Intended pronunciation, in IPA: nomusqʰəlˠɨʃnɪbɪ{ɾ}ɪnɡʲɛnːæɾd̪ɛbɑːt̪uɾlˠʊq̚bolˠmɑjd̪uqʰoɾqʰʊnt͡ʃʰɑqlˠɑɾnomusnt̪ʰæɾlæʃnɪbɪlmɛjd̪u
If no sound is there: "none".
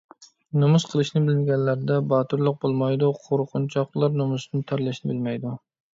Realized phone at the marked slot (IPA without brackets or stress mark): l